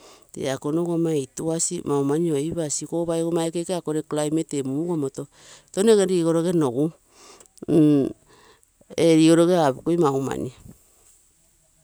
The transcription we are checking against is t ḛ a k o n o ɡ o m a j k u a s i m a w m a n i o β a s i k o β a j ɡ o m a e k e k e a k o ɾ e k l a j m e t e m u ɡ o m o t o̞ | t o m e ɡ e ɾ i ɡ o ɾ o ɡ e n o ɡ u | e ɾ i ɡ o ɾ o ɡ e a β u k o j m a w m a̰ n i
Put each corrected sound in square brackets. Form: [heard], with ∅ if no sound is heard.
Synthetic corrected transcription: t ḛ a k o n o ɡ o m a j [t] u a s i m a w m a n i o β a s i k o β a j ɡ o m a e k e k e a k o ɾ e k l a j m e t e m u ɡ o m o t o̞ | t o [n] e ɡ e ɾ i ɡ o ɾ o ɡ e n o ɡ u | e ɾ i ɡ o ɾ o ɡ e a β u k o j m a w m a̰ n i